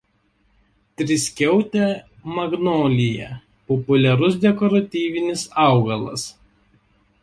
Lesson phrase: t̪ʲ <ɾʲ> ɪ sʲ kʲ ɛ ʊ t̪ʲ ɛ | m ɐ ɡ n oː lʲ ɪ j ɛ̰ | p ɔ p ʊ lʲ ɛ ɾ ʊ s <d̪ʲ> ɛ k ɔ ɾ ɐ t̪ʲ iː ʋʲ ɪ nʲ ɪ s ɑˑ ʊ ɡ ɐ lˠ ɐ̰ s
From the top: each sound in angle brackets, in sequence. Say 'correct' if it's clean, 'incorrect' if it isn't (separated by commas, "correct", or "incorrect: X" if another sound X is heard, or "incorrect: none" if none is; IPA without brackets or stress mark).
correct, correct